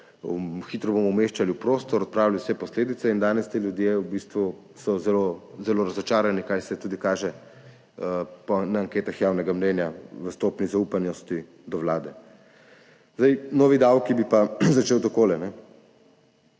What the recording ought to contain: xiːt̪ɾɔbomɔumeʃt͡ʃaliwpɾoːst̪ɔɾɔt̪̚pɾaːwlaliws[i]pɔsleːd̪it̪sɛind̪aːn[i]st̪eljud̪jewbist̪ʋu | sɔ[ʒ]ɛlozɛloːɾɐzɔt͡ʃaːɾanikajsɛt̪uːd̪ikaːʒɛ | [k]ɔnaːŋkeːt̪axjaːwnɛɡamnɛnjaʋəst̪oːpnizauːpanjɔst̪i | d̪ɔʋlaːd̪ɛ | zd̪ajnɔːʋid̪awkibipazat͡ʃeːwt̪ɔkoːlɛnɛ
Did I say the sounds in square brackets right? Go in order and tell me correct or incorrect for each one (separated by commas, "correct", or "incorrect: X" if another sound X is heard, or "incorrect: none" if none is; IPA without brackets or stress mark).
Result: incorrect: ɛ, incorrect: ɛ, incorrect: z, incorrect: p